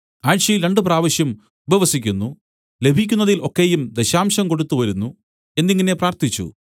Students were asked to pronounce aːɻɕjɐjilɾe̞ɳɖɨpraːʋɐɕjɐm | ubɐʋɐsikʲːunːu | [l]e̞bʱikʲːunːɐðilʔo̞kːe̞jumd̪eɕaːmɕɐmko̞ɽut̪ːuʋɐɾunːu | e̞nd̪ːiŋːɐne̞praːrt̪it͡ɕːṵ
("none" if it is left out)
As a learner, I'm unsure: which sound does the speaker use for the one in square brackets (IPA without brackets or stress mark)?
l